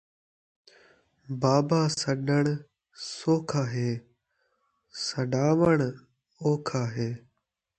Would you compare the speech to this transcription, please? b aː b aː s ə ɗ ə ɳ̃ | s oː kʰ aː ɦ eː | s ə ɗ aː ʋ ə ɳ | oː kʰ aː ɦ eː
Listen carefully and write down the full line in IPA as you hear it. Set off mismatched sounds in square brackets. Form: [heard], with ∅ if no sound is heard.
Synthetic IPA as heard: b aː b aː s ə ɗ ə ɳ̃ | s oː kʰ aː ɦ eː | s ə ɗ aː ʋ ə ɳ | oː kʰ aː ɦ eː